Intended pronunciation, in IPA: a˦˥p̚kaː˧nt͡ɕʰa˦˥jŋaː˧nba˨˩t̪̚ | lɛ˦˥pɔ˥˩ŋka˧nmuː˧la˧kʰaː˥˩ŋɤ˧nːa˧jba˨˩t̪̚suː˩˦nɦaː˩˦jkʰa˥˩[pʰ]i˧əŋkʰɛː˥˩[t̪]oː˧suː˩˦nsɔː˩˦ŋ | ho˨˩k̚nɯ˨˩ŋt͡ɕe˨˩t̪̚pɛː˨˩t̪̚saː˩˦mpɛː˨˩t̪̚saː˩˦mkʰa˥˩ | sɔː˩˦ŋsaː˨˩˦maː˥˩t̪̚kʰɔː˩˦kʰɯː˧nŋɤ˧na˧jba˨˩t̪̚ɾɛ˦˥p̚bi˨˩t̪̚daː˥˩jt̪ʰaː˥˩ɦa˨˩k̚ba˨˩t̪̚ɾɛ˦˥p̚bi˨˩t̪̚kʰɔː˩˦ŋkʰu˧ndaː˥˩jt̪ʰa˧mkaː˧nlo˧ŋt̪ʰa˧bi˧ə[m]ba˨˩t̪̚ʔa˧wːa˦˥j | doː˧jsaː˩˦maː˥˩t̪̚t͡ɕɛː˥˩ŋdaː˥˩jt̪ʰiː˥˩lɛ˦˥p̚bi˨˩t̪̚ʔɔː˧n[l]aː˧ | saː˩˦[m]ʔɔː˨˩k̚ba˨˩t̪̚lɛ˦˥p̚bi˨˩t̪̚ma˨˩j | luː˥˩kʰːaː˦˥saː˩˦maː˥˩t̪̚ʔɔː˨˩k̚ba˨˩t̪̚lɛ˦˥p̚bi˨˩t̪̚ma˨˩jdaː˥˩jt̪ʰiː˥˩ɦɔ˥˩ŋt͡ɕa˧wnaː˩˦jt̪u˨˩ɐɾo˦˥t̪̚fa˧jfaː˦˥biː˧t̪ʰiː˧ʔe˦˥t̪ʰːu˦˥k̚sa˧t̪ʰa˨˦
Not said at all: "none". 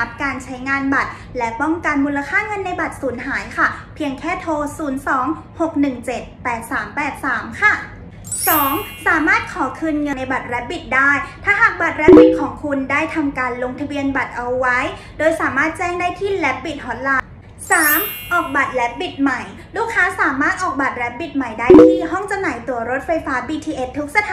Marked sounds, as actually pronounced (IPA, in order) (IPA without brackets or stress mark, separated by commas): pʰ, t̪ʰ, n, l, m